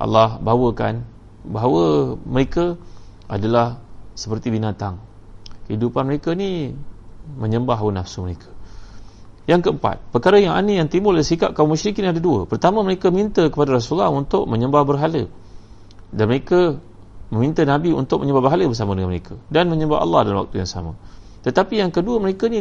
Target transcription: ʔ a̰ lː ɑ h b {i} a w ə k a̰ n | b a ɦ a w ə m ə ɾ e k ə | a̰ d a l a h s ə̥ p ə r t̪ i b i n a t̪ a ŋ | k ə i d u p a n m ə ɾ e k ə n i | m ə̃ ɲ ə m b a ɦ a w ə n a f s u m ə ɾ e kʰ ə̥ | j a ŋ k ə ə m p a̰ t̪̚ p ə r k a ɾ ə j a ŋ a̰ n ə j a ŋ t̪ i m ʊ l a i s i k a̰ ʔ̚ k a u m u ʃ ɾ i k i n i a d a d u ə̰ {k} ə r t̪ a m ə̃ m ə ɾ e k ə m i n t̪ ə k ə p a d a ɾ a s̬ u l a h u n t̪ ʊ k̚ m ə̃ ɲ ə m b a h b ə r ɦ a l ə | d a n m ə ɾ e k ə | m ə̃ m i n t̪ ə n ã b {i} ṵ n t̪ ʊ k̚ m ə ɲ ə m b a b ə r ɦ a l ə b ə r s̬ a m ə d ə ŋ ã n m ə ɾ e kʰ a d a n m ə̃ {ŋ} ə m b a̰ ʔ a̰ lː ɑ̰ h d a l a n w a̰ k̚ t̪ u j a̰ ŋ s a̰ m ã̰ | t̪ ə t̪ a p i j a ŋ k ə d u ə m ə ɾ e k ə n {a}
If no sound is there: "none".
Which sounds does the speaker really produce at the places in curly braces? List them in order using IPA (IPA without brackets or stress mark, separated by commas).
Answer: a, p, i, ɲ, i